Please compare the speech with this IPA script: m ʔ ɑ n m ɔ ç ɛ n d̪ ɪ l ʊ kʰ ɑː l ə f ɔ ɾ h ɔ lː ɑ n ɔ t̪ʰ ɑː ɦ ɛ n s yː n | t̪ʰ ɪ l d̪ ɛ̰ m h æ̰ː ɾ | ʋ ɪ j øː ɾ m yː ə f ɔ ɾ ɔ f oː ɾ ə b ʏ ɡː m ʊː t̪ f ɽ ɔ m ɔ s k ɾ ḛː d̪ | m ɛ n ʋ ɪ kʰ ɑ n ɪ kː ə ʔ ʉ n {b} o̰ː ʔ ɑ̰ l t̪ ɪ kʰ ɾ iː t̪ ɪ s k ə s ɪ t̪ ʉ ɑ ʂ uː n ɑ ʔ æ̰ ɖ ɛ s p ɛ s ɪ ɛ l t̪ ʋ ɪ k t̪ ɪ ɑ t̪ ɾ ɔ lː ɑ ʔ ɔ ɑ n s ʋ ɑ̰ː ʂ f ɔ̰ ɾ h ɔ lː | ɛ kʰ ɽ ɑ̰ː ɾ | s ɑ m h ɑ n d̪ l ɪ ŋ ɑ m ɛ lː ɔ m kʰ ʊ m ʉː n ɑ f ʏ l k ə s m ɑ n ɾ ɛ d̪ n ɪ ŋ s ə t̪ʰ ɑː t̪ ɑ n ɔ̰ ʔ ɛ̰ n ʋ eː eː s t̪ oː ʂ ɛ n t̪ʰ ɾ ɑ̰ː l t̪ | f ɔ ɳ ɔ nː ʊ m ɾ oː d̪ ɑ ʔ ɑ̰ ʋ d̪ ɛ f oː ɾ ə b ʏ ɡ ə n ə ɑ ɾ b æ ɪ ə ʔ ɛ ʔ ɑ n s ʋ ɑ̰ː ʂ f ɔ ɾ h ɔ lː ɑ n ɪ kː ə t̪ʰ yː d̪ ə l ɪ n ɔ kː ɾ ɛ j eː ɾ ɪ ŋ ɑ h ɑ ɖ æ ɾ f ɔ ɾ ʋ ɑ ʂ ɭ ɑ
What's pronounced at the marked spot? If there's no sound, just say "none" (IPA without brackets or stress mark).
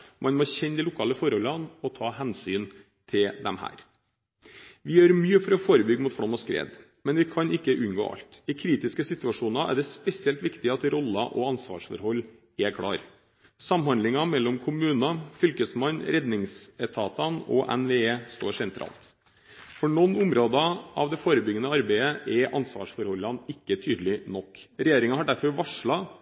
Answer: ɡ